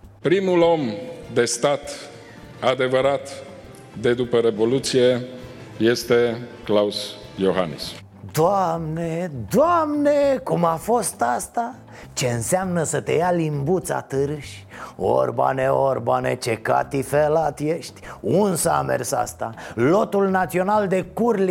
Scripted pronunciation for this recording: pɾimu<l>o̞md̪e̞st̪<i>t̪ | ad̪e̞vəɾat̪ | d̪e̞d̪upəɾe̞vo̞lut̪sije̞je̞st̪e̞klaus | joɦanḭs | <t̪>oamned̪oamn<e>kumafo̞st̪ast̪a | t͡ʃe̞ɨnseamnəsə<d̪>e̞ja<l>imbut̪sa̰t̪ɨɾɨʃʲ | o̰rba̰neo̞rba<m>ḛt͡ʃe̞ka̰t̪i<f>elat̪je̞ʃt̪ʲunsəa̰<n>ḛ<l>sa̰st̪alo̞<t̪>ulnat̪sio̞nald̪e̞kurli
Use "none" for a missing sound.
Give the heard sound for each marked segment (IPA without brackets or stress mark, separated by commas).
l, a, d̪, e, t̪, l, n, f, m, r, t̪